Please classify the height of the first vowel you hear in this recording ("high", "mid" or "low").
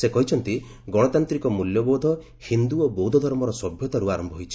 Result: mid